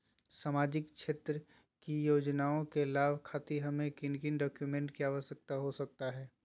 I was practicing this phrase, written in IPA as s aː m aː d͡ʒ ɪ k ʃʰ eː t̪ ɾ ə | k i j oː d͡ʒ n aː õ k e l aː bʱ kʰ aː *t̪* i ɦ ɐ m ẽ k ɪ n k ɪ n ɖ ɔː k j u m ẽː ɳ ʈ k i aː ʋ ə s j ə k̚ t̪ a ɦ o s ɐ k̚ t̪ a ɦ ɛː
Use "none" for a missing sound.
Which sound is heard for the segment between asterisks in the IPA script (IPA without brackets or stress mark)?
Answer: t̪